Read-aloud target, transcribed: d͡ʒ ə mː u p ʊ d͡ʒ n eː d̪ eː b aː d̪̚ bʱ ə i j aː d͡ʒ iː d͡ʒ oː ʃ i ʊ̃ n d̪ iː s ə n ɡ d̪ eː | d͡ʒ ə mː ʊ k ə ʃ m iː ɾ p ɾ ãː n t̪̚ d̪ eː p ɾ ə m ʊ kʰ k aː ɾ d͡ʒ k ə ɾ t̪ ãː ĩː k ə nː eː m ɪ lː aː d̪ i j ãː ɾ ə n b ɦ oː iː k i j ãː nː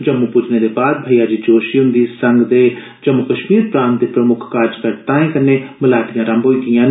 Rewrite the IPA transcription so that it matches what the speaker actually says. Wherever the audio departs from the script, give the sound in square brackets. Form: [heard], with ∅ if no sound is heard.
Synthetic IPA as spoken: d͡ʒ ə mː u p ʊ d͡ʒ n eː d̪ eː b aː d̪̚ bʱ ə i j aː d͡ʒ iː d͡ʒ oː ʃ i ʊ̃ n d̪ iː s ə [ŋ] ɡ d̪ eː | d͡ʒ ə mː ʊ k ə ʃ m iː ɾ p ɾ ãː n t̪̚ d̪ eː p ɾ ə m ʊ kʰ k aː ɾ d͡ʒ k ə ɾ t̪ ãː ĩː k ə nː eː m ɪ [l] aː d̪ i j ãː ɾ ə [m] b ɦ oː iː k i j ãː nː